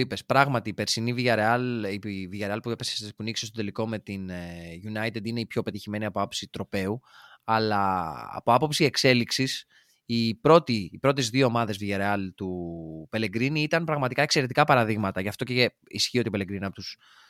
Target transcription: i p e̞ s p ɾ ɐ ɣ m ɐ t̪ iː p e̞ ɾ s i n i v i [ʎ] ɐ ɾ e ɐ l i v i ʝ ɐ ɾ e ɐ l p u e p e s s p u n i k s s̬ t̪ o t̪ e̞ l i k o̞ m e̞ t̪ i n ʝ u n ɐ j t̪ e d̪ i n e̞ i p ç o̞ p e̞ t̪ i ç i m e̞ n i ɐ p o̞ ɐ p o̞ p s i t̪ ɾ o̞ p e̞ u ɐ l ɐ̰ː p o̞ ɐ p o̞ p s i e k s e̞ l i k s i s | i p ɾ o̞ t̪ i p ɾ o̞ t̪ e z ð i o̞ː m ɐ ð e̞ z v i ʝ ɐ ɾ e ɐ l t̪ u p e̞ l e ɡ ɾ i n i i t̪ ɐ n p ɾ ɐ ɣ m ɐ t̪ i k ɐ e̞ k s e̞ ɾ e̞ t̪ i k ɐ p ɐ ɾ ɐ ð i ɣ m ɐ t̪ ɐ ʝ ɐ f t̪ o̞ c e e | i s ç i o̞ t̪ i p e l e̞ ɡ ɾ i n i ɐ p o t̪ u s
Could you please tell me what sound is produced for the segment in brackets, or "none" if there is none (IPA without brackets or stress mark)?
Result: ʝ